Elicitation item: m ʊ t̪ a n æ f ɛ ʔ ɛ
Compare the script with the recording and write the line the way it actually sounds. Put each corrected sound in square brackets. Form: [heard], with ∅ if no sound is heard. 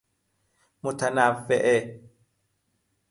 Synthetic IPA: m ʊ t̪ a n [a] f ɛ ʔ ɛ